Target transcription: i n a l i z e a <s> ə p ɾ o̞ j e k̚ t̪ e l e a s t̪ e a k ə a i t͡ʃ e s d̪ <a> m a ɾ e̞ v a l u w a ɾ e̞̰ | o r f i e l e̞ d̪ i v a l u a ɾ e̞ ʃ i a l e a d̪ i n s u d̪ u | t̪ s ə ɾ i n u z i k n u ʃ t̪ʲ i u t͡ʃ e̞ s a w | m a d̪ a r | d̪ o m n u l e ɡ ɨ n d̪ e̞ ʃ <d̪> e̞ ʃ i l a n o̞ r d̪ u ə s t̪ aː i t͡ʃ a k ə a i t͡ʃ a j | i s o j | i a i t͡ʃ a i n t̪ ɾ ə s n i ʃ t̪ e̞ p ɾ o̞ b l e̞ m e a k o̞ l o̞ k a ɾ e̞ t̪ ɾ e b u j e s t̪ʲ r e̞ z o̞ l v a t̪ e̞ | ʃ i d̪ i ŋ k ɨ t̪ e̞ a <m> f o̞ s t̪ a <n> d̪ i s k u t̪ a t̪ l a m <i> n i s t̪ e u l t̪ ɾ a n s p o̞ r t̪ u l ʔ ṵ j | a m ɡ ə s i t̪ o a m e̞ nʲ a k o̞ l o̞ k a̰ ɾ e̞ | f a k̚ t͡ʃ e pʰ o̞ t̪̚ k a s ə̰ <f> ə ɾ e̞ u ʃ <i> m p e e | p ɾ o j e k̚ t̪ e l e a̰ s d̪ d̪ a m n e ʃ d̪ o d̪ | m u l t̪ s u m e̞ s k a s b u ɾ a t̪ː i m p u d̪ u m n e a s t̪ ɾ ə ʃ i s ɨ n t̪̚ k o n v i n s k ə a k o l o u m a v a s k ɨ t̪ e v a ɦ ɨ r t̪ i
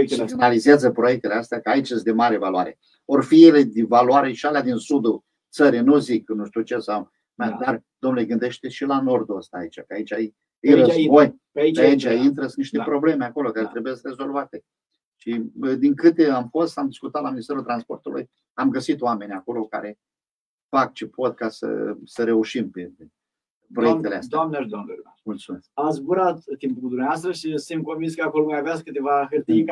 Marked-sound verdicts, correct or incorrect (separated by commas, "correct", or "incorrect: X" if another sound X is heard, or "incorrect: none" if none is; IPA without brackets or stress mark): incorrect: z, incorrect: e, incorrect: t̪, correct, incorrect: m, correct, incorrect: s, correct